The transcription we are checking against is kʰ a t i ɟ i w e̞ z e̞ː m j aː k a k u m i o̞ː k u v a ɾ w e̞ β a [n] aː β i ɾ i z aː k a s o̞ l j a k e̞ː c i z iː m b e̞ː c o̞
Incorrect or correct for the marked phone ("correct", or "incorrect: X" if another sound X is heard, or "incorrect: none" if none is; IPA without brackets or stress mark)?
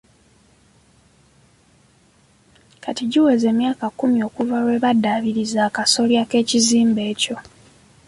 incorrect: d